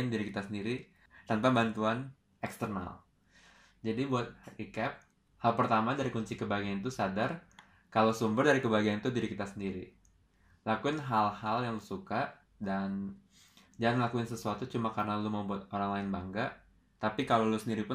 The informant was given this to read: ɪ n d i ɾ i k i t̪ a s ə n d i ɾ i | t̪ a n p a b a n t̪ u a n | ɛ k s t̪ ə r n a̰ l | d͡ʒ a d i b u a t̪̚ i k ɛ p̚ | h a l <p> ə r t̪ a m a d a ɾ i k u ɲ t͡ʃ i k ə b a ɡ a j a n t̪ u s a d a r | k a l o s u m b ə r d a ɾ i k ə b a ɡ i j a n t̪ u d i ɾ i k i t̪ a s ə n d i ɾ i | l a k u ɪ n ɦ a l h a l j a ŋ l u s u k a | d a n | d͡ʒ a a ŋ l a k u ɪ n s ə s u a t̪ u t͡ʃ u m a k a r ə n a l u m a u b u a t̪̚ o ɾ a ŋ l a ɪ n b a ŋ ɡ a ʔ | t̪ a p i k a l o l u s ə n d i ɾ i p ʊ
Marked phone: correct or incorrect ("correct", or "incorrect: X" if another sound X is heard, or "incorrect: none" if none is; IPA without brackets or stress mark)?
correct